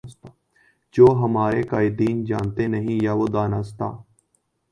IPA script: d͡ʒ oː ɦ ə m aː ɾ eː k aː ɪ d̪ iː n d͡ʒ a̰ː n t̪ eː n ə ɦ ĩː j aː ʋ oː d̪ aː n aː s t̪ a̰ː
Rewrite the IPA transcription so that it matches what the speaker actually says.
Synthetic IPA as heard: d͡ʒ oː ɦ ə m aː ɾ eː k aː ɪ d̪ iː n d͡ʒ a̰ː n t̪ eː n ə ɦ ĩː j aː ʋ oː d̪ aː n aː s t̪ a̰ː